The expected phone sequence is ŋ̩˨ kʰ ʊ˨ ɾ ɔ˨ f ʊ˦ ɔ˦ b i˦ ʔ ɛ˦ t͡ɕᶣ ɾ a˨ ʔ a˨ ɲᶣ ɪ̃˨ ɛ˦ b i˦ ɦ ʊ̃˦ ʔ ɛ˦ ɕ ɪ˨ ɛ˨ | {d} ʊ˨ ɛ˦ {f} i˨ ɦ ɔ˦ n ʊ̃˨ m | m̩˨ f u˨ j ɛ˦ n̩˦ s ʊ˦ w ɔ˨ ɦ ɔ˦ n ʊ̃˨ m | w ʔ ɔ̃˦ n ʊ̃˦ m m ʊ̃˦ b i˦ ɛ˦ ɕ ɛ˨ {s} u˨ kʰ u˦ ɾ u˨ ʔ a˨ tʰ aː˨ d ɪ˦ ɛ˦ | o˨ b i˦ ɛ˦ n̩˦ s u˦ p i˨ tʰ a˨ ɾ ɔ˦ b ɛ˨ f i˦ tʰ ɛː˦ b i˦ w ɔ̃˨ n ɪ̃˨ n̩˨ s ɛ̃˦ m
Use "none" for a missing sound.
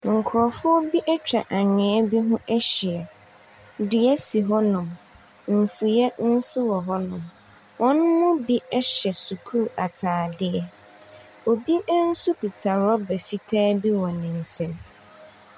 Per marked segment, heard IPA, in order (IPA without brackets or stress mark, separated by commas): d, s, s